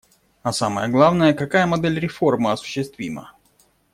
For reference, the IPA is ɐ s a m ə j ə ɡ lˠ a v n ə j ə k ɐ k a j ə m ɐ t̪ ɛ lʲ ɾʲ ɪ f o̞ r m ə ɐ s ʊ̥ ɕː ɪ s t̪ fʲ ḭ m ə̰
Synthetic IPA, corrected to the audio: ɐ s a m ə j ə ɡ lˠ a v n ə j ə k ɐ k a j ə m ɐ d̪ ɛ lʲ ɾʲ ɪ f o̞ r m ə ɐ s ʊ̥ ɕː ɪ s t̪ vʲ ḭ m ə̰